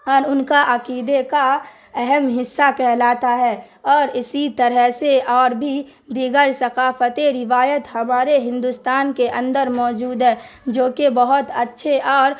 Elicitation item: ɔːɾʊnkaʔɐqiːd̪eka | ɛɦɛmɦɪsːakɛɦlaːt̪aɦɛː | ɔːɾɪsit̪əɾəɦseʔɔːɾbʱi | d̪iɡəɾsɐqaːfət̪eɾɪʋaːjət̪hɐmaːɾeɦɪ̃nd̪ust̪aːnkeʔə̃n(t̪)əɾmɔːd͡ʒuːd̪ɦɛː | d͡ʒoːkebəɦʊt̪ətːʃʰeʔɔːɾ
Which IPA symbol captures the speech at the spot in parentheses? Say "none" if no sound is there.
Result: d̪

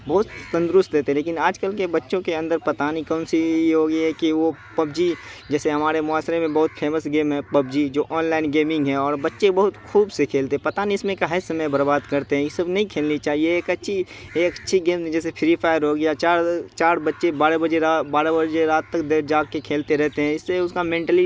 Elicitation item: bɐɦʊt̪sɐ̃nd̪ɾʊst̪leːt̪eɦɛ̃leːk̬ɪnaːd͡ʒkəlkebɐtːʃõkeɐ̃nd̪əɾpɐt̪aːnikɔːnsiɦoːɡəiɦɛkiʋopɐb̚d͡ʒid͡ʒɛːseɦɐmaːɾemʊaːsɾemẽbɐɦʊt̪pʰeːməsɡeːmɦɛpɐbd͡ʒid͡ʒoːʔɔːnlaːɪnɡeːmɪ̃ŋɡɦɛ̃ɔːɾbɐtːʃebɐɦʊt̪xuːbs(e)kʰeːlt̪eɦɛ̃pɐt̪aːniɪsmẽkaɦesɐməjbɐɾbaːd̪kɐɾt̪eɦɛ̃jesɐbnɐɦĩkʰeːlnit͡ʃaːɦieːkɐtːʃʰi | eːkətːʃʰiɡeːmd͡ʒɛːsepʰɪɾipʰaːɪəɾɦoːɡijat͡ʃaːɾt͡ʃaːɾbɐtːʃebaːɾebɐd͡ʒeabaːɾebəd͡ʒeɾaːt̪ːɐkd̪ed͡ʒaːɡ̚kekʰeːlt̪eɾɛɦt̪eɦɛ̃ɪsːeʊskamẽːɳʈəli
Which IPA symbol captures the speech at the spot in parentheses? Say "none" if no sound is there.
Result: e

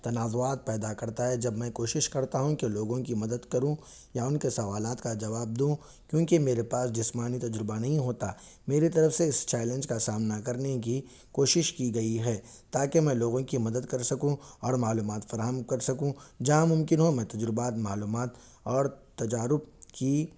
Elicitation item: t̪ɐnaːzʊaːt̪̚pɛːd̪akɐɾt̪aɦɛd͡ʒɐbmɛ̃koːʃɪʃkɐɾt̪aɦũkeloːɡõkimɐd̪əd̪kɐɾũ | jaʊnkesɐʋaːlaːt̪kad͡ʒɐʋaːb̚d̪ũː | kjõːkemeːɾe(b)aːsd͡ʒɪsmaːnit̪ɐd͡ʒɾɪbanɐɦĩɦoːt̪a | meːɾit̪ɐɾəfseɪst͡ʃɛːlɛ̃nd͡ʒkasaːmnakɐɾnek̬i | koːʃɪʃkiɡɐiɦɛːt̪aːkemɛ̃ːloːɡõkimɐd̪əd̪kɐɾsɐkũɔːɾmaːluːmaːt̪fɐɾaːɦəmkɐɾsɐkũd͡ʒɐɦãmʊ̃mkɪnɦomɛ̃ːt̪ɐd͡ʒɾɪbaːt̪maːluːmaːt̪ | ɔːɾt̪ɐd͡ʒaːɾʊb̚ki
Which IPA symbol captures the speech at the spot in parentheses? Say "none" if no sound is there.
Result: p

